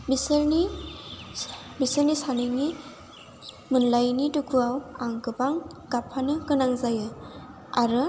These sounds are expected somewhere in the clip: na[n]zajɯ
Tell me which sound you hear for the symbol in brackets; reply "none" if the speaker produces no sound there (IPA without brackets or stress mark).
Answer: ŋ